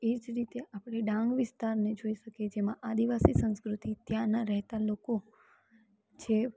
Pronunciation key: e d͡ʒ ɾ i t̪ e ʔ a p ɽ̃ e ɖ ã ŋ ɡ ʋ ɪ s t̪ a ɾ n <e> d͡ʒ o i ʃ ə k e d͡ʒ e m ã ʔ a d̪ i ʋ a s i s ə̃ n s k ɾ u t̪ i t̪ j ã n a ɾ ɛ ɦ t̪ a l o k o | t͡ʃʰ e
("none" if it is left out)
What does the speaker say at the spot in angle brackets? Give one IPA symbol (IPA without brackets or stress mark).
e